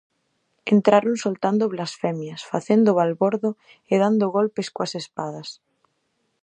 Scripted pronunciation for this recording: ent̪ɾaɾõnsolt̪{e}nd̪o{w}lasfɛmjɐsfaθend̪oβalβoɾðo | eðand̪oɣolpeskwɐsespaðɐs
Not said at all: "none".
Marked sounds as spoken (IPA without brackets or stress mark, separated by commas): a, β